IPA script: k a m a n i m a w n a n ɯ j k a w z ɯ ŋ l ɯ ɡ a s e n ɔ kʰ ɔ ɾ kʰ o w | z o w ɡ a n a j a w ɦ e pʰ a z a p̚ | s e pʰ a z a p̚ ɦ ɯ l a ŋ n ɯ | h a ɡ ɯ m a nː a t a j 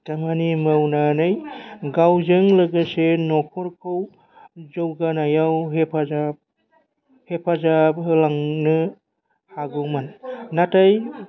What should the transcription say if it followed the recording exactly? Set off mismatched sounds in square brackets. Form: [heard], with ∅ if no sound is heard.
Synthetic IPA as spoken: [t] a m a n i m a w n a n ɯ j [ɡ] a w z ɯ ŋ l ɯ ɡ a s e n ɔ kʰ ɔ ɾ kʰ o w | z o w ɡ a n a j a w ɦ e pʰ a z a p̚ | [h] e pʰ a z a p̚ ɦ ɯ l a ŋ n ɯ | h a ɡ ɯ m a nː a t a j

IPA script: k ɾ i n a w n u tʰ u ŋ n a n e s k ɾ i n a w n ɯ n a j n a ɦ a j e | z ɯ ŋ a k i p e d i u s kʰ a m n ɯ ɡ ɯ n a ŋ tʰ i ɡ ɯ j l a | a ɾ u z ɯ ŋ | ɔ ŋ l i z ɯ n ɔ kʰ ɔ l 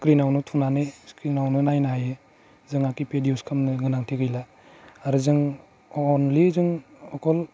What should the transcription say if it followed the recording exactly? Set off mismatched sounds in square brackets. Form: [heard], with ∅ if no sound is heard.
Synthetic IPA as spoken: k ɾ i n a w n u tʰ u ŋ n a n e s k ɾ i n a w n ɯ n a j n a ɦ a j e | z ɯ ŋ a k i p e d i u s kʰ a m n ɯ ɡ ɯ n a ŋ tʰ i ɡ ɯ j l a | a ɾ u z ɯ ŋ | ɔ [n] l i z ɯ [ŋ] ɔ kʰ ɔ l

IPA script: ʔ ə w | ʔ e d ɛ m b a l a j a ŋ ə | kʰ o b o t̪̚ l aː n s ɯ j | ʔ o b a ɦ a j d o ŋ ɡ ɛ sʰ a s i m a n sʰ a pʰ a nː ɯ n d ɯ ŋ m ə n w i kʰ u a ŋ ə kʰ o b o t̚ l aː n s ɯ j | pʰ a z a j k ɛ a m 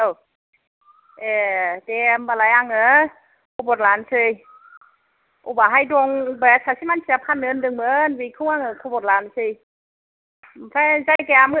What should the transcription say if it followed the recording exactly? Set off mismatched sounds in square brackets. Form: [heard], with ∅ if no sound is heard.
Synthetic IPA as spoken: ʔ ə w | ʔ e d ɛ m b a l a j a ŋ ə | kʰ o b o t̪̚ l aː n s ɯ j | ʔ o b a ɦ a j d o ŋ [b] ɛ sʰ a s i m a n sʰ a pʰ a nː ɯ n d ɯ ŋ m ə n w i kʰ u a ŋ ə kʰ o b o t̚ l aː n s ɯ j | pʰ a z a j k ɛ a m

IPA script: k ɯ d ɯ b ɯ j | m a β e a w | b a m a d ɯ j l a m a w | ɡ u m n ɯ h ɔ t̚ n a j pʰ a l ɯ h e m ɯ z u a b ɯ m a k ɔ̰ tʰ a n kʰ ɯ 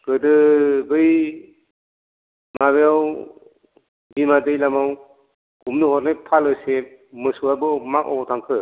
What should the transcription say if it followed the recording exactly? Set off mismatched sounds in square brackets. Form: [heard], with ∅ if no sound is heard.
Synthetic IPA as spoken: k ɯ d ɯ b ɯ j | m a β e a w | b [i] m a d ɯ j l a m a w | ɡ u m n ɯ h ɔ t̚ n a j pʰ a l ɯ [s] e m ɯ [s] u a b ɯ m a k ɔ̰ tʰ a [ŋ] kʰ ɯ

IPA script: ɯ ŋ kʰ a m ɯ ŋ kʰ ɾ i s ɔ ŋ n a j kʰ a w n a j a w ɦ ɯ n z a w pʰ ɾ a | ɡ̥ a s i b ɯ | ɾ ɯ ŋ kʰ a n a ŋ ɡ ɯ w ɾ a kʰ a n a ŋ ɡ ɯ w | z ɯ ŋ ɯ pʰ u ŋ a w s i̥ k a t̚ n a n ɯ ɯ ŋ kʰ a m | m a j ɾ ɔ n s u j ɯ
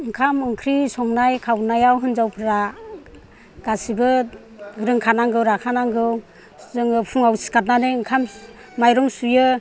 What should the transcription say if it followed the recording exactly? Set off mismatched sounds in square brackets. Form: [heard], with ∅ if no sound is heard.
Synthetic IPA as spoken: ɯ ŋ kʰ a m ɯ ŋ kʰ ɾ i s ɔ ŋ n a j kʰ a w n a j a w ɦ ɯ n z a w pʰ ɾ a | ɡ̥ a s i b ɯ | ɾ ɯ ŋ kʰ a n a ŋ ɡ ɯ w ɾ a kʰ a n a ŋ ɡ ɯ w | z ɯ ŋ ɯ pʰ u ŋ a w s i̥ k a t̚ n a n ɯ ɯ ŋ kʰ a m | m a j ɾ ɔ [ŋ] s u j ɯ

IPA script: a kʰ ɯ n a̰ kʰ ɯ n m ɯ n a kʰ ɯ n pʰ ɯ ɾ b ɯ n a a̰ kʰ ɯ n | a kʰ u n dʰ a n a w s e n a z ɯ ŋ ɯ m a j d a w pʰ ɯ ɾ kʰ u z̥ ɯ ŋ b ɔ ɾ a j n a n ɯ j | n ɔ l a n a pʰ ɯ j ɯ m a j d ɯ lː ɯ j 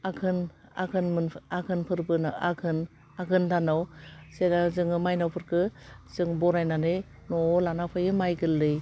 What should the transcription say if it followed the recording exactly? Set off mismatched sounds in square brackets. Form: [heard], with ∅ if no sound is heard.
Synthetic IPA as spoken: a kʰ ɯ n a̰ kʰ ɯ n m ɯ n a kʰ ɯ n pʰ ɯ ɾ b ɯ n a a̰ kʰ ɯ n | a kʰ [ɯ] n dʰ a n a w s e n a z ɯ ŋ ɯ m a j [n] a w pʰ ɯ ɾ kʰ [ɯ] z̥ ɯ ŋ b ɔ ɾ a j n a n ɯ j | n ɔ l a n a pʰ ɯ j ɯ m a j [ɡ] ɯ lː ɯ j

